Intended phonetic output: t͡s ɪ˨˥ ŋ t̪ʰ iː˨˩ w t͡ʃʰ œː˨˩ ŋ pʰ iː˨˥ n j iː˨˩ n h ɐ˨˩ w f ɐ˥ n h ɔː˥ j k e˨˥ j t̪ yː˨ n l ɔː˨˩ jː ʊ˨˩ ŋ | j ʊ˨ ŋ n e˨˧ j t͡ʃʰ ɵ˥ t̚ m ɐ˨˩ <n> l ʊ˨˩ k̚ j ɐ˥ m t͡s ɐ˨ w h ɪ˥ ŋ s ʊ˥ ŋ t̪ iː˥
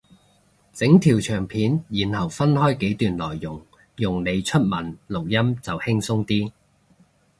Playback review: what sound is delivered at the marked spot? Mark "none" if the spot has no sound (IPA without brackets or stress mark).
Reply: n